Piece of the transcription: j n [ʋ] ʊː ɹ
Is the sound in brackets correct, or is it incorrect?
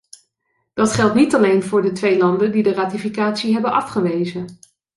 incorrect: v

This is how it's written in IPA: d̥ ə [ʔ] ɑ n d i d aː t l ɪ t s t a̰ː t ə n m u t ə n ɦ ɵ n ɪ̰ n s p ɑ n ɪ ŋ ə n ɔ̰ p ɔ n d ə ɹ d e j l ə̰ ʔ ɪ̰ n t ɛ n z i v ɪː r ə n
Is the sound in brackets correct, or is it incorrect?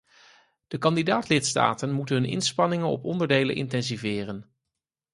incorrect: k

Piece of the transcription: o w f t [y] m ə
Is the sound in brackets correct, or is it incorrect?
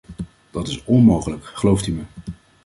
correct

